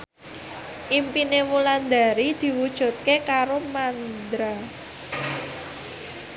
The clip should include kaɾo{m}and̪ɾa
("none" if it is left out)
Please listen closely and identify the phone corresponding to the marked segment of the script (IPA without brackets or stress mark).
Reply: m